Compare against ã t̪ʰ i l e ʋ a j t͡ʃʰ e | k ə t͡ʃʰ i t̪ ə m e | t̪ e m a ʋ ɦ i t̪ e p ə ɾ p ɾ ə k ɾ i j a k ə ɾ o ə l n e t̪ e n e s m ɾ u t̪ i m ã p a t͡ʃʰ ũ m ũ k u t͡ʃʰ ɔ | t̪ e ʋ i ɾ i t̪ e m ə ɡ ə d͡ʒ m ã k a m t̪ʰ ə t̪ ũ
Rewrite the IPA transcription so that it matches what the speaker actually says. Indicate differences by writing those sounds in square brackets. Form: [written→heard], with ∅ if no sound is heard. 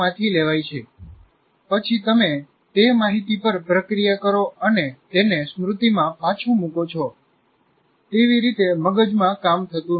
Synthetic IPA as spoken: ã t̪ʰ i l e ʋ a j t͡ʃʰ e | [k→p] ə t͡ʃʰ i t̪ ə m e | t̪ e m a [ʋ→∅] ɦ i t̪ [e→i] p ə ɾ p ɾ ə k ɾ i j a k ə ɾ o ə [l→∅] n e t̪ e n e s m ɾ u t̪ i m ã p a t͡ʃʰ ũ m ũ k [u→o] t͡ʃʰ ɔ | t̪ e ʋ i ɾ i t̪ e m ə ɡ ə d͡ʒ m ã k a m t̪ʰ ə t̪ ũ